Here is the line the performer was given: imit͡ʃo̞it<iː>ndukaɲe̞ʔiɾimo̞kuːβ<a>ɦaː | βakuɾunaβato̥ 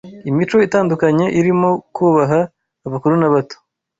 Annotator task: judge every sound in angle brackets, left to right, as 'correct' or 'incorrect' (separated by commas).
incorrect, correct